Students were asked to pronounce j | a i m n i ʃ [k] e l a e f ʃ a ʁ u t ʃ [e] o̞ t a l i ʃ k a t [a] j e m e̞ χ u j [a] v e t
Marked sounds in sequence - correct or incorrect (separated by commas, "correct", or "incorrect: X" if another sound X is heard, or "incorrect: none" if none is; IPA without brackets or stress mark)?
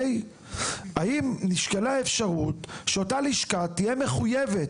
correct, correct, incorrect: i, incorrect: e